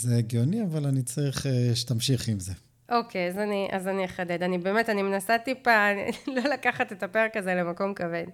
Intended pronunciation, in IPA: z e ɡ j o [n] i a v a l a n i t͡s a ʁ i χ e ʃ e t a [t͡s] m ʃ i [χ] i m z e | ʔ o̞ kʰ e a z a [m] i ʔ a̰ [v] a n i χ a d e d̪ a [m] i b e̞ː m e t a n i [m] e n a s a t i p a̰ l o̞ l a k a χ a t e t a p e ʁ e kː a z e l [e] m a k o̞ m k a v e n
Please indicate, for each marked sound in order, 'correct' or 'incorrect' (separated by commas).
correct, incorrect, correct, incorrect, incorrect, incorrect, correct, correct